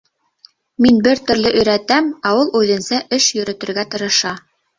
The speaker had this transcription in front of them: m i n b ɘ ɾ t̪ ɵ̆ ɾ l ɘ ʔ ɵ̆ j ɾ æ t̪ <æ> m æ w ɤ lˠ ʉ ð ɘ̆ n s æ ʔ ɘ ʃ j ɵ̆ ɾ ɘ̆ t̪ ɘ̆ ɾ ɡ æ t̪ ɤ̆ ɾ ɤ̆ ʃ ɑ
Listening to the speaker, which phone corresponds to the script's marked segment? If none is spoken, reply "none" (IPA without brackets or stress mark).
æ